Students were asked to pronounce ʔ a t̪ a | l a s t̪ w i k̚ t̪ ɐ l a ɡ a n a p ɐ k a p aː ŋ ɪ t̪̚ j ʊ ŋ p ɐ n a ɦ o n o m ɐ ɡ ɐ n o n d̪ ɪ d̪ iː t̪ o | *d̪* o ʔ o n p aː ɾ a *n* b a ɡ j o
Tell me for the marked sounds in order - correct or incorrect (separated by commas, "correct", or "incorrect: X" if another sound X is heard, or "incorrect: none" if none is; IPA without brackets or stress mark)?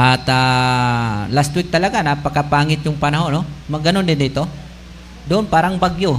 correct, incorrect: ŋ